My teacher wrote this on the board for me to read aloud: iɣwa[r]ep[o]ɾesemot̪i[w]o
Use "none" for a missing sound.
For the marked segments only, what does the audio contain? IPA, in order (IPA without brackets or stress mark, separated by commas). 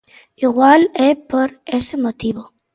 l, o, β